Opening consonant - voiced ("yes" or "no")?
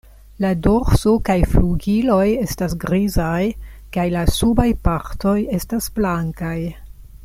yes